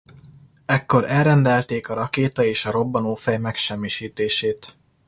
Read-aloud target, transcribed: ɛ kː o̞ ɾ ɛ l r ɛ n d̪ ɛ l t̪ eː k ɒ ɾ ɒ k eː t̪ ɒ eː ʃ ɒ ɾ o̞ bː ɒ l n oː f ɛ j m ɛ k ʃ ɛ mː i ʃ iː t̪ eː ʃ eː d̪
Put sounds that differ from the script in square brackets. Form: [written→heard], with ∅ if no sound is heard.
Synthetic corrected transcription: ɛ kː o̞ ɾ ɛ l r ɛ n d̪ ɛ l t̪ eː k ɒ ɾ ɒ k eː t̪ ɒ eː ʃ ɒ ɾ o̞ bː ɒ [l→∅] n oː f ɛ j m ɛ k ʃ ɛ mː i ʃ iː t̪ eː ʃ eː [d̪→t̪]